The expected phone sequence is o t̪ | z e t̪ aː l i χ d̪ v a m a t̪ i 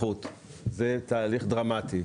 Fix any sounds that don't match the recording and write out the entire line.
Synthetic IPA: u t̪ | z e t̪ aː l i χ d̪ ʁ a m a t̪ i